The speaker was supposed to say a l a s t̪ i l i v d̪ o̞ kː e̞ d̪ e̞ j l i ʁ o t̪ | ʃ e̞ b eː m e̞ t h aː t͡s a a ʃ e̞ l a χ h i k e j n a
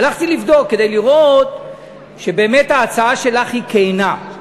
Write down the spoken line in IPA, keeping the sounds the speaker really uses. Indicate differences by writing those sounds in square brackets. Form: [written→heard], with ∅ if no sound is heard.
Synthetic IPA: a l a [s→χ] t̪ i l i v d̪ o̞ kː e̞ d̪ e̞ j l i ʁ o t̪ | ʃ e̞ b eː m e̞ t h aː t͡s a a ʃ e̞ l a χ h i k e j n a